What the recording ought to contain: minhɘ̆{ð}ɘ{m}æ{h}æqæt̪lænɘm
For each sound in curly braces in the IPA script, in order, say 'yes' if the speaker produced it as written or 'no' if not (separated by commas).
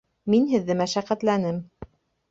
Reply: no, yes, no